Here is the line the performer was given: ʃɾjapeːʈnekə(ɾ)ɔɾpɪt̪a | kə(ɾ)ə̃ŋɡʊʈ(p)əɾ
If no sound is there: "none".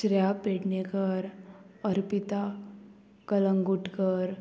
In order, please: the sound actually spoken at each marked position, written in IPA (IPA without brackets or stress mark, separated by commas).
ɾ, l, k